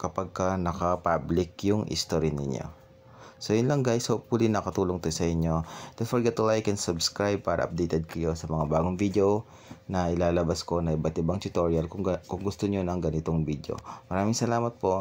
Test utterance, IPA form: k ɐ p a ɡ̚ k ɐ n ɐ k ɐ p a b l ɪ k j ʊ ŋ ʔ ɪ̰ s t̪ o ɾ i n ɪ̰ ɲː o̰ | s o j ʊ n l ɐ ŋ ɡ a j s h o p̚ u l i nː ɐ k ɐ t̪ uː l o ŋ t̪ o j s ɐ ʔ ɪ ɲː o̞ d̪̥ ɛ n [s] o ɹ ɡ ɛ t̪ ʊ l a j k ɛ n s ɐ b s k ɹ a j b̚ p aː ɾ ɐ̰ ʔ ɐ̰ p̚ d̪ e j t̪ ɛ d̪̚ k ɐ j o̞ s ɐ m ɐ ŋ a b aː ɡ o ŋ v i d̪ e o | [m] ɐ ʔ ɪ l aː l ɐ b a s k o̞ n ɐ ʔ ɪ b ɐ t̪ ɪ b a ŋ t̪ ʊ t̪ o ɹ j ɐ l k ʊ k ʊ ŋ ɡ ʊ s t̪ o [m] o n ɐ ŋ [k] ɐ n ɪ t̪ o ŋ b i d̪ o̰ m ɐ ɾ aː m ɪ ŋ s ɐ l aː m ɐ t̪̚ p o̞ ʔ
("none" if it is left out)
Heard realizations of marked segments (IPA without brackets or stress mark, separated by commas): f, n, ɲ, ɡ